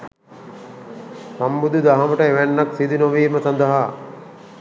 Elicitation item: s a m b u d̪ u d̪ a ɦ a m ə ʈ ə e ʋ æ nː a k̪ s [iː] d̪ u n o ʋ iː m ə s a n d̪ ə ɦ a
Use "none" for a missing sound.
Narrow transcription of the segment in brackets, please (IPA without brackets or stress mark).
i